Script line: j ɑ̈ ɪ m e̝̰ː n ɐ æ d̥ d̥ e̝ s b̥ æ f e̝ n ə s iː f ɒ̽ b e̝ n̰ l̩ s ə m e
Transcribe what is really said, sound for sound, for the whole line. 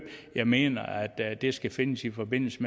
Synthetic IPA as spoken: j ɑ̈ ɪ m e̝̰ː n ɐ æ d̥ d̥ e̝ s ɡ̥ æ f e̝ n ə s i f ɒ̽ b e̝ n̰ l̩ s ə m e